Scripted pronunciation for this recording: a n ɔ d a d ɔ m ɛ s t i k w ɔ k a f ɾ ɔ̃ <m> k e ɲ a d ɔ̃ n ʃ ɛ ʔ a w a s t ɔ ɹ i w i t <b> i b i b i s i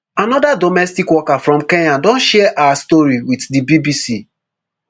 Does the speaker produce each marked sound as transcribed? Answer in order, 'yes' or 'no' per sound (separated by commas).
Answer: yes, no